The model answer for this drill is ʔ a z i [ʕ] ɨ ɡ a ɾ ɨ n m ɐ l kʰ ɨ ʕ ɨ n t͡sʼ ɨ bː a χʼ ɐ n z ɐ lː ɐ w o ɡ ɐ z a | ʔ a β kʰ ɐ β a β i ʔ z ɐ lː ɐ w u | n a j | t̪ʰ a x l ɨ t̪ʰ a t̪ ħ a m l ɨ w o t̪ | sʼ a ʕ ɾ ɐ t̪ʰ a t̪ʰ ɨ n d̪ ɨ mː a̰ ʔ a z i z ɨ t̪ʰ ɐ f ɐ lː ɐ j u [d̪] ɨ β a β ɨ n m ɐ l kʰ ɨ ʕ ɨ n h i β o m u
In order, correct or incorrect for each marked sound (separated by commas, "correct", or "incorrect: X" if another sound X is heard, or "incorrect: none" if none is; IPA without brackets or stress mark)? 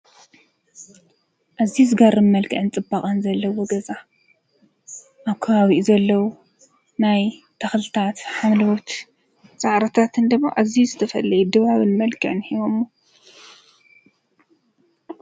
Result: incorrect: z, correct